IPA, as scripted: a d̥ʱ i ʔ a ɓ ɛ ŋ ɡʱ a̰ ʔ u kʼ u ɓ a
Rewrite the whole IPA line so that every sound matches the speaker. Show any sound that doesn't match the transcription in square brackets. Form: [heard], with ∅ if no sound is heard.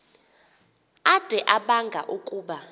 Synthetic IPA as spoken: a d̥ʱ [ɛ] ʔ a ɓ [a] ŋ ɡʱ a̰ ʔ u kʼ [uː] ɓ a